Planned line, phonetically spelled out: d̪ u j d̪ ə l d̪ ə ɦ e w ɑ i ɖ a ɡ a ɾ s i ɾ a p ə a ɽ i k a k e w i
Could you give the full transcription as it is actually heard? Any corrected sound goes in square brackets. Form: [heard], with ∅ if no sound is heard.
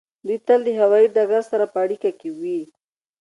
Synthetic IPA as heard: d̪ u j [t̪] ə l d̪ ə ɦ [a] w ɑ i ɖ a ɡ a ɾ s [a] ɾ a p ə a ɽ i k a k e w i